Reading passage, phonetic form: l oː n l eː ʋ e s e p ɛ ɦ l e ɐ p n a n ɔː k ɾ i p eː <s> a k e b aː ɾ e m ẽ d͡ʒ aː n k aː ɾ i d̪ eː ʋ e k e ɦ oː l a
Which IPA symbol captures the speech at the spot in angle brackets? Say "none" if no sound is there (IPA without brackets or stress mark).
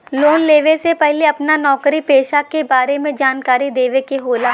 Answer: ʃ